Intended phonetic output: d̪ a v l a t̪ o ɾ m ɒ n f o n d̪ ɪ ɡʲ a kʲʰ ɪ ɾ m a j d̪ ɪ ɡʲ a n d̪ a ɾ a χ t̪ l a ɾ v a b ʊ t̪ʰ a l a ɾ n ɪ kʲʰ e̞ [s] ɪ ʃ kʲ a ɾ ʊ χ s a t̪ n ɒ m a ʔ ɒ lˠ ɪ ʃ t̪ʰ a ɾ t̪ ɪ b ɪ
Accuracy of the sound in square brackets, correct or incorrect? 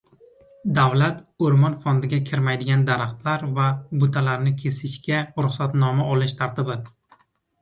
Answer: correct